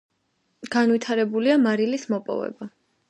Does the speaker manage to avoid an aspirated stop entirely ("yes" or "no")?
no